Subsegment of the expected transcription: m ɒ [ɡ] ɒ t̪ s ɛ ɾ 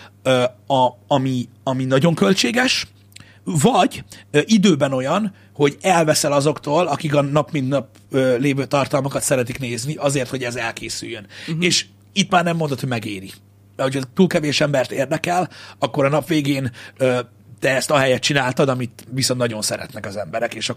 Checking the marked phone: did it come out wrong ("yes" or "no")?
yes